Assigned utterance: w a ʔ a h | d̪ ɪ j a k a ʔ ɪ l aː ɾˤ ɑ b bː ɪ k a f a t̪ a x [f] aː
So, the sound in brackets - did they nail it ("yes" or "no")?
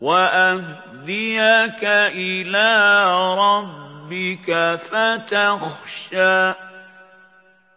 no